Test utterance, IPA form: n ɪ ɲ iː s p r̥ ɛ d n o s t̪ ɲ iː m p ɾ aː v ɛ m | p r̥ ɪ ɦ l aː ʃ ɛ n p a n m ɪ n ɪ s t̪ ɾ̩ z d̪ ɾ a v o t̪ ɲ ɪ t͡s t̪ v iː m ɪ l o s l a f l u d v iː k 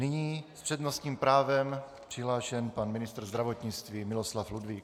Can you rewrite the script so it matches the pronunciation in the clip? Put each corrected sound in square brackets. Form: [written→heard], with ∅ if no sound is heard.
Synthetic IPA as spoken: n ɪ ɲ iː s p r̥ ɛ d n o s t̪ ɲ iː m p ɾ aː v ɛ m | p r̥ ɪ ɦ l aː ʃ ɛ n p a n m ɪ n ɪ s t̪ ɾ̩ z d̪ ɾ a v o t̪ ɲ ɪ t͡s t̪ v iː m ɪ l o s l a f l u d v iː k